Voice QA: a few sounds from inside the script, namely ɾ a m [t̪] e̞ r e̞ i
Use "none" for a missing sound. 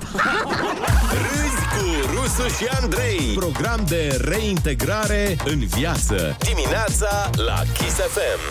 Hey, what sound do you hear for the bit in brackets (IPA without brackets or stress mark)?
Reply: d̪